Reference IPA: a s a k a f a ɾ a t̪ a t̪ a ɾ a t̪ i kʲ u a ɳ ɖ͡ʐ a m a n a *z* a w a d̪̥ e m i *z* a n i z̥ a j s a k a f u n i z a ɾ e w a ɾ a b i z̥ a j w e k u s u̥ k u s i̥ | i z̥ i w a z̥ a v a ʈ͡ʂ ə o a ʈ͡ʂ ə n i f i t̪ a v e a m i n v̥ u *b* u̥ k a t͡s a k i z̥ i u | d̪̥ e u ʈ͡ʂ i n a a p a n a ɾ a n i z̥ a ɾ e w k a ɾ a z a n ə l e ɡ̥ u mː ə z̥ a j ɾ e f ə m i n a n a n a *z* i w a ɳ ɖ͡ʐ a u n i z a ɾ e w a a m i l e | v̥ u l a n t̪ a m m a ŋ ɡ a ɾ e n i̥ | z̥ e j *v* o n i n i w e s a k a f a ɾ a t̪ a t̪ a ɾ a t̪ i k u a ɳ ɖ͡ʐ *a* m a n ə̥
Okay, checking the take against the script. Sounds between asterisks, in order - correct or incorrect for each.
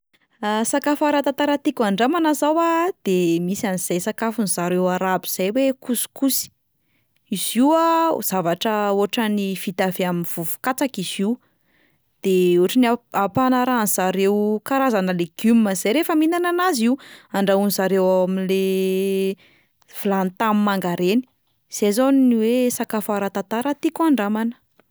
correct, incorrect: s, incorrect: v, correct, incorrect: z, correct

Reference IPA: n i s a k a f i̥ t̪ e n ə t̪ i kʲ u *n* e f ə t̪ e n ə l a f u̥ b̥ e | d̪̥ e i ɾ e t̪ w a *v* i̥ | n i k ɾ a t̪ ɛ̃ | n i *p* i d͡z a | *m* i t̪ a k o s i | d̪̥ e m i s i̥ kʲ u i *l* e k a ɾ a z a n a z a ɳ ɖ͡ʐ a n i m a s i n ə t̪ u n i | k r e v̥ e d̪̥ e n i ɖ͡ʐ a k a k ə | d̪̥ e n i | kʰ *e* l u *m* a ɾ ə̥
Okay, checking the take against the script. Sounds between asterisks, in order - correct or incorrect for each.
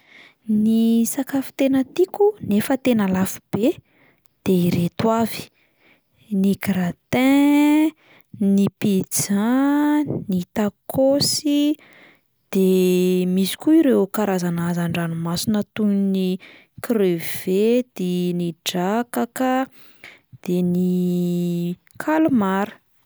correct, correct, correct, incorrect: n, incorrect: ɾ, incorrect: a, correct

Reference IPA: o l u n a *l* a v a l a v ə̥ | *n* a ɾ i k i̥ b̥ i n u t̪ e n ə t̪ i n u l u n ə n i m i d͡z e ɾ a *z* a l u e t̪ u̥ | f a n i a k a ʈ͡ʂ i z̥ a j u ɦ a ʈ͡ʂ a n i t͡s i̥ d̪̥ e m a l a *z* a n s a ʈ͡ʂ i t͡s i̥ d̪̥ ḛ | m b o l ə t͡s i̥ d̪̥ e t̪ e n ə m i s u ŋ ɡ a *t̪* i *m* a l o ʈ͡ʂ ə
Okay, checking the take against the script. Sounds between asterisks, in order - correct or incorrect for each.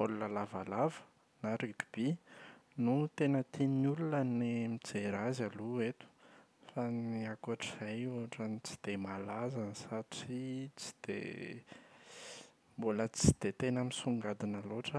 correct, correct, correct, correct, incorrect: d̪, incorrect: n

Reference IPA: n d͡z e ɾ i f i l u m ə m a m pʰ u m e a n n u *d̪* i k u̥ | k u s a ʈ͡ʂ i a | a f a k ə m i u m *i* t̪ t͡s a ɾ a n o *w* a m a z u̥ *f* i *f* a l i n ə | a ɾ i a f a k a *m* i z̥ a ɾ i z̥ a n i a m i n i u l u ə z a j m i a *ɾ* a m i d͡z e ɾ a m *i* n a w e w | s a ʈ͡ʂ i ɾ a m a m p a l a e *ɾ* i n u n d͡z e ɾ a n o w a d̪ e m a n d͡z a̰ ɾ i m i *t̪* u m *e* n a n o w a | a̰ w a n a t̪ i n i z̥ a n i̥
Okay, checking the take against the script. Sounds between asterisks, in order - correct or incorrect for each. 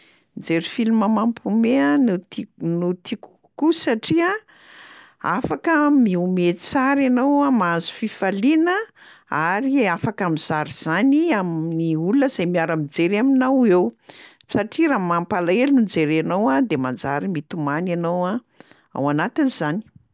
incorrect: t̪, incorrect: e, correct, correct, correct, correct, correct, correct, incorrect: l, correct, incorrect: a

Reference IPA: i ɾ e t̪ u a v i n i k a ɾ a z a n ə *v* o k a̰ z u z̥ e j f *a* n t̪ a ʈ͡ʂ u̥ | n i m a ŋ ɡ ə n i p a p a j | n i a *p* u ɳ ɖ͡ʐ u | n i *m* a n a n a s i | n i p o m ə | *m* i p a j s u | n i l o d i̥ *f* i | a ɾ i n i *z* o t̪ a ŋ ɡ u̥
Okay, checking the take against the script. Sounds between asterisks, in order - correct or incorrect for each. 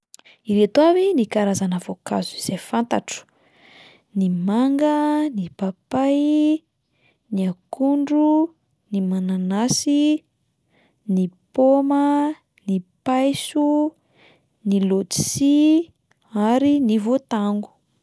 correct, correct, incorrect: k, correct, incorrect: n, incorrect: s, incorrect: v

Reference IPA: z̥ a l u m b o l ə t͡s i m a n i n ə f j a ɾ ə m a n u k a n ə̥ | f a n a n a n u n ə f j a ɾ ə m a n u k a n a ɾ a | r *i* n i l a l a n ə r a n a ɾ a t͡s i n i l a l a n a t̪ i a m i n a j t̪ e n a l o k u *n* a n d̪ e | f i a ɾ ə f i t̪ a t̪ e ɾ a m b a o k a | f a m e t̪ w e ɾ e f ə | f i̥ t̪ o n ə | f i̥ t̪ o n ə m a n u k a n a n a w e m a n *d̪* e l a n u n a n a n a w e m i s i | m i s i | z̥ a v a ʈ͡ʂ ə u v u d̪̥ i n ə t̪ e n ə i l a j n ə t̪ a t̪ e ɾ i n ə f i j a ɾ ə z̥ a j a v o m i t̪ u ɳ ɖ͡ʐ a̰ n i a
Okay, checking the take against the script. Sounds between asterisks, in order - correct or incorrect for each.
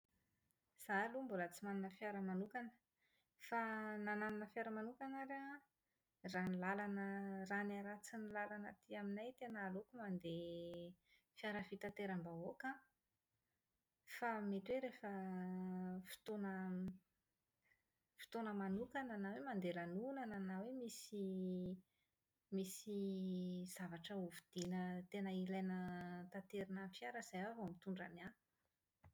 incorrect: a, incorrect: m, correct

